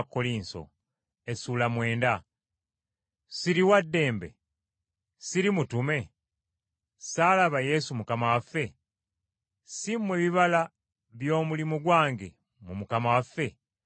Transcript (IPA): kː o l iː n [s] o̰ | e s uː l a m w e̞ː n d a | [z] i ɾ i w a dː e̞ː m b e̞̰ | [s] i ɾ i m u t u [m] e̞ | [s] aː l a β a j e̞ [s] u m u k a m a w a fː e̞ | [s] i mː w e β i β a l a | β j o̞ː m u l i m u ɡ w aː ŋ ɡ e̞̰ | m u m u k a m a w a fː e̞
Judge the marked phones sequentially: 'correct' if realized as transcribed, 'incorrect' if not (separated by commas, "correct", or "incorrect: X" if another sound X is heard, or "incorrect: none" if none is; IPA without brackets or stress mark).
correct, incorrect: s, correct, correct, correct, correct, correct